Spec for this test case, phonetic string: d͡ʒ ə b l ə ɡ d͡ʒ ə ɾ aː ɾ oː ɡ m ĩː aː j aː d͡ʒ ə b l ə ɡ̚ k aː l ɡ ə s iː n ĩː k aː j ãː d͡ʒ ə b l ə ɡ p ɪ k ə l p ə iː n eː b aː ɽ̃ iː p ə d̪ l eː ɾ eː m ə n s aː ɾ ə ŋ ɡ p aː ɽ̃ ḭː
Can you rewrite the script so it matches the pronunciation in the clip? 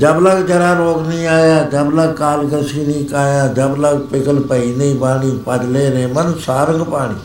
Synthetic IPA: d͡ʒ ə b l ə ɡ d͡ʒ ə ɾ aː ɾ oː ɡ n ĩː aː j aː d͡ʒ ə b l ə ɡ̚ k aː l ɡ ə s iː n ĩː k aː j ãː d͡ʒ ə b l ə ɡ p ɪ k ə l p ə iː n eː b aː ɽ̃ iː p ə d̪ l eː ɾ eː m ə n s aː ɾ ə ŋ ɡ p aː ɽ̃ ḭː